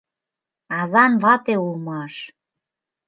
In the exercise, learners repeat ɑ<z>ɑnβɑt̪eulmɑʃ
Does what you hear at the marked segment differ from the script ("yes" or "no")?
no